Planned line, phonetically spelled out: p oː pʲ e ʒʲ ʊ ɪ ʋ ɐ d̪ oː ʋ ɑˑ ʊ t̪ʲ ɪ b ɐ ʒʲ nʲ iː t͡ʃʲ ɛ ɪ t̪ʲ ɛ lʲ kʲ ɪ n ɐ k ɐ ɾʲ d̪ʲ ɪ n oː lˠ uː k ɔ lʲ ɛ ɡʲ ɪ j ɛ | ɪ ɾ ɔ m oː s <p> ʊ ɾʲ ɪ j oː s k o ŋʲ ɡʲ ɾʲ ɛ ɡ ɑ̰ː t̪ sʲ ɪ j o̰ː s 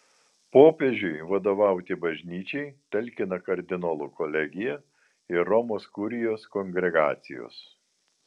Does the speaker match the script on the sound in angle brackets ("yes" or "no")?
no